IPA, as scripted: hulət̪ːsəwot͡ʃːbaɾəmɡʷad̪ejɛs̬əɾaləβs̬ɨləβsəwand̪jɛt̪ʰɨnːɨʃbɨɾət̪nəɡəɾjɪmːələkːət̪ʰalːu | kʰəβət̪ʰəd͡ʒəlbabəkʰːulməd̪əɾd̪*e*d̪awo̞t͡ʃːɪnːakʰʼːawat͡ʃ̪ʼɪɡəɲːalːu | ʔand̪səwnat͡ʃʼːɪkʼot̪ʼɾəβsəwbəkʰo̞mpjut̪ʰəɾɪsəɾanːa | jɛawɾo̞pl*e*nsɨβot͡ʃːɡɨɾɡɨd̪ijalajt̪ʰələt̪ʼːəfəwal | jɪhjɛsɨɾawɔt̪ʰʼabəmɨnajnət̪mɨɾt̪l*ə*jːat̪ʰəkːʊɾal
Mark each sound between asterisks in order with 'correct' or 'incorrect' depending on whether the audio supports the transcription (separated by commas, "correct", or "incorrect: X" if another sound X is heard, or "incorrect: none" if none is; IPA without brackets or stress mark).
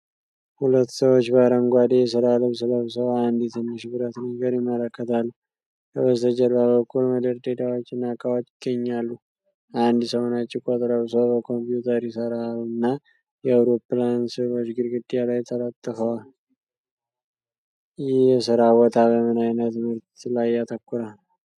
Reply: correct, incorrect: a, incorrect: a